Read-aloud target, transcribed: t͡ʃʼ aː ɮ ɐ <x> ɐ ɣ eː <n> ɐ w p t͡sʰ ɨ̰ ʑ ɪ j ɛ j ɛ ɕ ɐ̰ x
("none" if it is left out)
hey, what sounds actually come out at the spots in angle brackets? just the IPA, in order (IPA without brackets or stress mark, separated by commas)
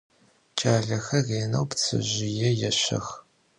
x, n